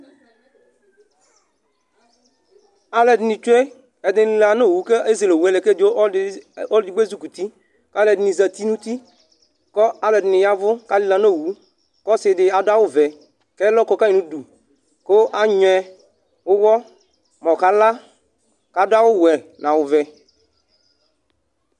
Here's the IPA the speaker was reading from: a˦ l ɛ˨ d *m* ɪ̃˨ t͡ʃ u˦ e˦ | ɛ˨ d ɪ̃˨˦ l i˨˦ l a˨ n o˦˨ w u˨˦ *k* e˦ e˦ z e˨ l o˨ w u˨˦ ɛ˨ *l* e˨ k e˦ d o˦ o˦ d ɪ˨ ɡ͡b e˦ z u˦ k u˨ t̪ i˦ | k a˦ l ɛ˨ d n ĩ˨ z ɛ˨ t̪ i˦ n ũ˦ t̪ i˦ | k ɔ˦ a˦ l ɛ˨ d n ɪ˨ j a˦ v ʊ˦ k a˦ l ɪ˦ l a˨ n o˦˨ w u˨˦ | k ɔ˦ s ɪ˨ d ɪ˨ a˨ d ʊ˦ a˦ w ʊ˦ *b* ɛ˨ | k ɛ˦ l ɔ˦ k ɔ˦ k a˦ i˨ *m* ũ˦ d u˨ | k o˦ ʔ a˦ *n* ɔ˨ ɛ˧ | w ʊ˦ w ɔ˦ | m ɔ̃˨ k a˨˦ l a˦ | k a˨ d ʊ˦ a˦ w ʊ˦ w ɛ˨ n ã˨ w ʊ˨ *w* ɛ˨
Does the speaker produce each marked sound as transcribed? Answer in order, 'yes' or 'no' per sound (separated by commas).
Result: no, yes, yes, no, no, no, no